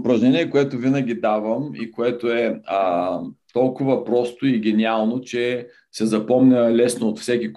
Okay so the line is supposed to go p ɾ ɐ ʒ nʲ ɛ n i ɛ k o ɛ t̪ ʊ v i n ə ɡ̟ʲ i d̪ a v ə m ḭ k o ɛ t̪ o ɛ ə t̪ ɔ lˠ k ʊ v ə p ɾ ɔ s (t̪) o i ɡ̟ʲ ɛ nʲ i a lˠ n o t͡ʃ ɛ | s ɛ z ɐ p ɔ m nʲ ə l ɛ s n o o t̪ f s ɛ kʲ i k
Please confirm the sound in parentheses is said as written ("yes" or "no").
yes